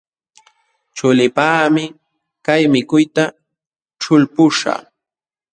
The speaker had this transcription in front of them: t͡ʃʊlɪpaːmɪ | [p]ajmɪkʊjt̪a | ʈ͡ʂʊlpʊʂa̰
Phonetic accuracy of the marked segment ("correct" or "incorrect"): incorrect